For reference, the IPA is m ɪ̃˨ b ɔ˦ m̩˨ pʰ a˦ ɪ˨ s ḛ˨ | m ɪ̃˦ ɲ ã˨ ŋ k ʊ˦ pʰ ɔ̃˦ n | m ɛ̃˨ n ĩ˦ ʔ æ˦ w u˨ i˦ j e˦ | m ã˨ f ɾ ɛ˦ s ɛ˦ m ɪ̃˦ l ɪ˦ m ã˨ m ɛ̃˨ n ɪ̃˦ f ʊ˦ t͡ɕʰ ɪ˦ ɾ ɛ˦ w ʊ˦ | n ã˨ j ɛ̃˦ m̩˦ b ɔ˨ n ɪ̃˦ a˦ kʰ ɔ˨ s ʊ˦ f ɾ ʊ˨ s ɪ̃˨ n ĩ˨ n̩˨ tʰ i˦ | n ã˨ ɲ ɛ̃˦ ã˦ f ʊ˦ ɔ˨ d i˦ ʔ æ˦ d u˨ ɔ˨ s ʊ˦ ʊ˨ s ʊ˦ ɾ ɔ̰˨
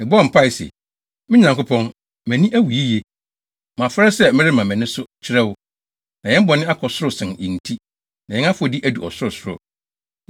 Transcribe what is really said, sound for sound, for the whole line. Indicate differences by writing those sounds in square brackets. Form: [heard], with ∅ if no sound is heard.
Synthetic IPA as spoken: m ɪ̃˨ b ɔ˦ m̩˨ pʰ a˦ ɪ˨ s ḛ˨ | m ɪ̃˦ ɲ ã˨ ŋ k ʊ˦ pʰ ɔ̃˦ n | m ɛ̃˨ n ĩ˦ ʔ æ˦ w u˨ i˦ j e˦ | m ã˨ f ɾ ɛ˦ s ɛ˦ m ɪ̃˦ [ɾ] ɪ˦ m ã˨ m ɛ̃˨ n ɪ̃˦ [s] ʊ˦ t͡ɕʰ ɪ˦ ɾ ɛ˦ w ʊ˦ | n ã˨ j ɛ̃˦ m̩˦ b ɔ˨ n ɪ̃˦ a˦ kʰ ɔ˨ s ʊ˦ [∅] ɾ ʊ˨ s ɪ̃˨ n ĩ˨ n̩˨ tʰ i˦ | n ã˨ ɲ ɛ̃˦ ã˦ f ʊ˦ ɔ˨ d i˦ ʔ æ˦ d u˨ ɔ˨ s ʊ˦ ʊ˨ s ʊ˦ ɾ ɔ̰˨